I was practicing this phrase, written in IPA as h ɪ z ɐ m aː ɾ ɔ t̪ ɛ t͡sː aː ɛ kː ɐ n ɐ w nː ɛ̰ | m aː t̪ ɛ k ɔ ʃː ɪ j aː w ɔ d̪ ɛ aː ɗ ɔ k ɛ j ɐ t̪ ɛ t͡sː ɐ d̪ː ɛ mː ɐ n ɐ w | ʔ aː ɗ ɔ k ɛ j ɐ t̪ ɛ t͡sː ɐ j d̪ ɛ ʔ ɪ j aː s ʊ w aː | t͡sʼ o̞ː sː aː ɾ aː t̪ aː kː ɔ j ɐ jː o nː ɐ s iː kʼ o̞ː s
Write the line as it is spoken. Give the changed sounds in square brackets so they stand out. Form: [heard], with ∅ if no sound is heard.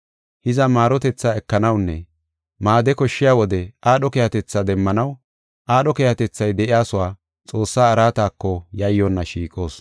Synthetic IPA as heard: h ɪ z ɐ m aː ɾ ɔ t̪ ɛ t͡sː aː ɛ kː ɐ n ɐ w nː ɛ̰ | m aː [d̪] ɛ k ɔ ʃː ɪ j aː w ɔ d̪ ɛ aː ɗ ɔ k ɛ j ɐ t̪ ɛ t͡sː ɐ [d̪] ɛ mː ɐ n ɐ w | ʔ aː ɗ ɔ k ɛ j ɐ t̪ ɛ t͡sː ɐ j d̪ ɛ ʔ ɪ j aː s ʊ w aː | t͡sʼ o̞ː sː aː ɾ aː t̪ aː kː ɔ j ɐ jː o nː ɐ [ʃ] iː kʼ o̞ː s

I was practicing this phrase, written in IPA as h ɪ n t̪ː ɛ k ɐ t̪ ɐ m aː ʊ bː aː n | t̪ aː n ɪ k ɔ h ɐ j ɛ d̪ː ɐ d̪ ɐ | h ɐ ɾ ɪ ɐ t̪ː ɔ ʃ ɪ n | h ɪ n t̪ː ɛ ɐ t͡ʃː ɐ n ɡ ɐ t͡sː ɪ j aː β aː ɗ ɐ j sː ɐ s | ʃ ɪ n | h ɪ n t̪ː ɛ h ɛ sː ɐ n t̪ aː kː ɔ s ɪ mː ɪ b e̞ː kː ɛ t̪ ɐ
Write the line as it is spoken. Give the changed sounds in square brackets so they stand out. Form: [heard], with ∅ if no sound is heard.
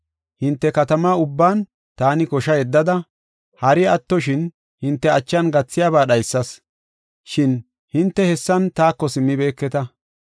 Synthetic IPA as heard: h ɪ n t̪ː ɛ k ɐ t̪ ɐ m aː ʊ bː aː n | t̪ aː n ɪ k ɔ [ʃ] ɐ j ɛ d̪ː ɐ d̪ ɐ | h ɐ ɾ ɪ ɐ t̪ː ɔ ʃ ɪ n | h ɪ n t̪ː ɛ ɐ t͡ʃː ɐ n ɡ ɐ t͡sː ɪ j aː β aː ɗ ɐ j sː ɐ s | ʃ ɪ n | h ɪ n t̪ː ɛ h ɛ sː ɐ n t̪ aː kː ɔ s ɪ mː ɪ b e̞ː kː ɛ t̪ ɐ

